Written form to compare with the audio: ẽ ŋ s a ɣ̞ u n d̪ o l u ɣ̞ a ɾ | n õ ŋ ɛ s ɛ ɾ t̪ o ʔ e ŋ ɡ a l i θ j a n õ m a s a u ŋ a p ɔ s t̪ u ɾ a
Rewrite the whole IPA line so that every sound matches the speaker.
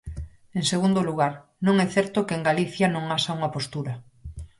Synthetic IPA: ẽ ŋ s e ɣ̞ u n d̪ o l u ɣ̞ a ɾ | n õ ŋ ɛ θ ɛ ɾ t̪ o k e ŋ ɡ a l i θ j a n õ ŋ a s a u ŋ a p o s t̪ u ɾ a